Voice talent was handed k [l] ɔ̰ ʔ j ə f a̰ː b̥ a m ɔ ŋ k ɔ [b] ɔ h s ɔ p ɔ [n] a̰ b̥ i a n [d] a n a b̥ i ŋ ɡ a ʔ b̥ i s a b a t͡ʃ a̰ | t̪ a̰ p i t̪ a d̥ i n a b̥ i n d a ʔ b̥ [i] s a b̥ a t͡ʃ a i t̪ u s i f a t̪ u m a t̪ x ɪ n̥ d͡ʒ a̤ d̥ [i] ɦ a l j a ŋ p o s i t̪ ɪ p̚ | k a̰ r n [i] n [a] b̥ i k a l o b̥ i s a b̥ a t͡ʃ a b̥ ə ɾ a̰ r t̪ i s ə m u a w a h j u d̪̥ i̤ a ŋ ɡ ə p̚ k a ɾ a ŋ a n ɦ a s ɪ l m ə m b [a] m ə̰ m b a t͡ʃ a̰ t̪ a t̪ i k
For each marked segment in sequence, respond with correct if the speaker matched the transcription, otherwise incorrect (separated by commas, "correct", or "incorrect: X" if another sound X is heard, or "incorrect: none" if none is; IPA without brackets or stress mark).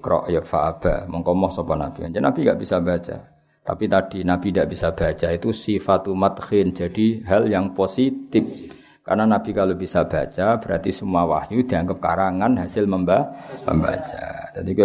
incorrect: ɾ, incorrect: m, correct, incorrect: d͡ʒ, correct, correct, incorrect: a, correct, correct